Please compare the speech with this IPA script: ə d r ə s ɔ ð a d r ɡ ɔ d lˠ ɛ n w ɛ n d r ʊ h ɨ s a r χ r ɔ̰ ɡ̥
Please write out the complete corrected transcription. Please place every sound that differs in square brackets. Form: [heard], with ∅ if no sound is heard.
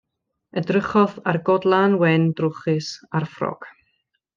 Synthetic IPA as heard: ə d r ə [χ] ɔ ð a [∅] r ɡ ɔ d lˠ [a] n w ɛ n d r ʊ [χ] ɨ s a r [f] r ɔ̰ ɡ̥